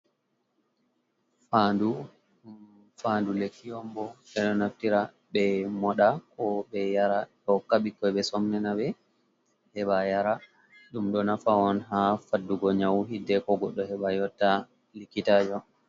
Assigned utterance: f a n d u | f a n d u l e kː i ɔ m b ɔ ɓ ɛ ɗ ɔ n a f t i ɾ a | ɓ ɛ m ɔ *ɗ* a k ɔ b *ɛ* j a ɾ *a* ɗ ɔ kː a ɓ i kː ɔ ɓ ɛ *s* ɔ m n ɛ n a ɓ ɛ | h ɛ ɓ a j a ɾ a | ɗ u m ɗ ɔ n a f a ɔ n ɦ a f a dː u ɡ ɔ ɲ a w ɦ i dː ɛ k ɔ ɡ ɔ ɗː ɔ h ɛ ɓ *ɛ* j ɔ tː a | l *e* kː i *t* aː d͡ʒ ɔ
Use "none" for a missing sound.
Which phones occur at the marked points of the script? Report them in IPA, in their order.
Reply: ɗ, ɛ, a, s, a, i, t

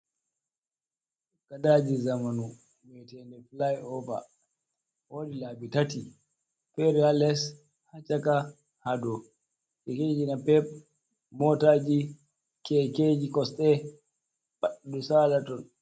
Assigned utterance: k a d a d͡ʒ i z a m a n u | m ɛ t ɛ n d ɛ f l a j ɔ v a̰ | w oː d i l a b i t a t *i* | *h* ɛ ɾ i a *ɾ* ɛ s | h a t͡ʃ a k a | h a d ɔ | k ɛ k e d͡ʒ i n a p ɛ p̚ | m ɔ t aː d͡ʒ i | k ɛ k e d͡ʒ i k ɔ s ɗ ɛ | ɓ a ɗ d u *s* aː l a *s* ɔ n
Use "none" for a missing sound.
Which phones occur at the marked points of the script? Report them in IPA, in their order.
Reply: i, f, l, s, t

